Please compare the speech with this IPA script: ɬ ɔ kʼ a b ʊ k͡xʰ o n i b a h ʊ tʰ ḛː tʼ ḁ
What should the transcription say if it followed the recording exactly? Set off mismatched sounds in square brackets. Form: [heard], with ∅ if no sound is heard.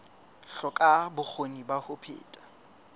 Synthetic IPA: ɬ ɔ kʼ a b ʊ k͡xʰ o n i b a h ʊ [pʰ] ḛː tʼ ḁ